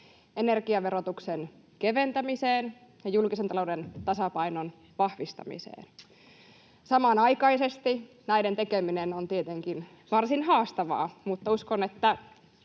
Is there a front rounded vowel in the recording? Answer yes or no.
no